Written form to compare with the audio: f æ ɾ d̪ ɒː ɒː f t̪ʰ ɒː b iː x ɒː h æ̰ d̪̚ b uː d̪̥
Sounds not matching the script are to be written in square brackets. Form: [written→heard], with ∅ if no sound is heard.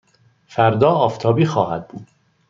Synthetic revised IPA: f æ ɾ d̪ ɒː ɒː f t̪ʰ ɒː b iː x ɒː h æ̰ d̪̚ b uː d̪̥